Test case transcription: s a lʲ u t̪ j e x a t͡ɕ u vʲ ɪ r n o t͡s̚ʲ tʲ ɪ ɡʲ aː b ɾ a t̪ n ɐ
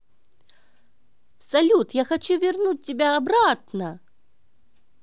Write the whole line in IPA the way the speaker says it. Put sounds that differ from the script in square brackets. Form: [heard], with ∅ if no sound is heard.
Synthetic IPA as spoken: s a lʲ u t̪ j [a] x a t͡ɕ u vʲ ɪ r n [u] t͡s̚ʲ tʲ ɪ [bʲ] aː b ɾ a t̪ n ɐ